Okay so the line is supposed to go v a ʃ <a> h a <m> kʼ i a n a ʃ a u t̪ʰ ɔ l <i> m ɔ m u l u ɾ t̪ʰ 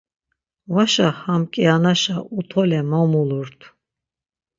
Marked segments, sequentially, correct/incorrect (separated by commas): correct, correct, incorrect